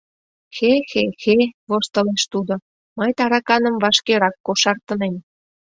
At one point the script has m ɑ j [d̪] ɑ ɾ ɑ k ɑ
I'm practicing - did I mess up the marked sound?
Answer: yes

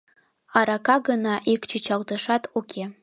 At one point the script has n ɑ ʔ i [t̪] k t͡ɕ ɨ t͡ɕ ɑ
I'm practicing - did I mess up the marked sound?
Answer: yes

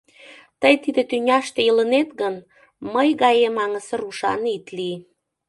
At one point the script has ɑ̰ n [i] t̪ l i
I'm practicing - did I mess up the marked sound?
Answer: no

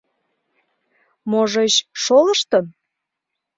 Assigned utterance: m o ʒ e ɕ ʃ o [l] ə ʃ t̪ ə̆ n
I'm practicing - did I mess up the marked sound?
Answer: no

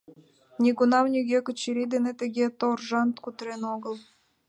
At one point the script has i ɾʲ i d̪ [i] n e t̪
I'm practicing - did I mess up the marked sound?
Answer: yes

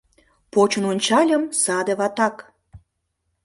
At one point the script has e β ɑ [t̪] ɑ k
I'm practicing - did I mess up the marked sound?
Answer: no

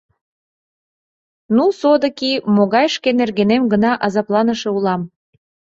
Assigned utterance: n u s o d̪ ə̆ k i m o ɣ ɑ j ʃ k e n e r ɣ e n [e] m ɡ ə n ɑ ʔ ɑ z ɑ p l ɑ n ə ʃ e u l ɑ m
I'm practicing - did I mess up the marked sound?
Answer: no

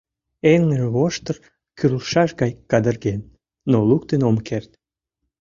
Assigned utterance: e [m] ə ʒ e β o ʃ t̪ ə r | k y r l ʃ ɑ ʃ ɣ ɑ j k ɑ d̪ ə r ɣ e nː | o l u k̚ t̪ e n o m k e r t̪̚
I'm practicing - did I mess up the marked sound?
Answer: yes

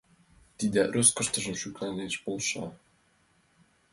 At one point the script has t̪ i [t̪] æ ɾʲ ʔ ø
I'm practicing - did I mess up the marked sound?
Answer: yes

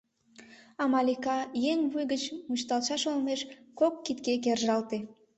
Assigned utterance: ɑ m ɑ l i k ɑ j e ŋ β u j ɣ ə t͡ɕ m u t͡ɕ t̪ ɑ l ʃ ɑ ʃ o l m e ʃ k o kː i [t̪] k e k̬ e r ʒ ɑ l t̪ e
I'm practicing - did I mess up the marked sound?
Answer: no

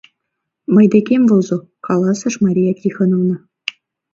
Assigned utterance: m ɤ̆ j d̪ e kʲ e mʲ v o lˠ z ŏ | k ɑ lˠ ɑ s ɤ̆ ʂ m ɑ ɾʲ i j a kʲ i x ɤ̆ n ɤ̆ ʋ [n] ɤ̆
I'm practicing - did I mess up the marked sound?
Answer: no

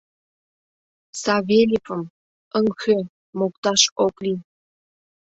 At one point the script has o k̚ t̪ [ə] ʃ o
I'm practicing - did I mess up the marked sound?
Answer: yes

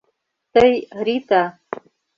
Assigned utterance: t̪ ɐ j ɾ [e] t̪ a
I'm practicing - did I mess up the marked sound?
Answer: yes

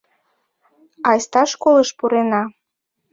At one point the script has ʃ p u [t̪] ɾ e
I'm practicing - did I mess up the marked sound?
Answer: yes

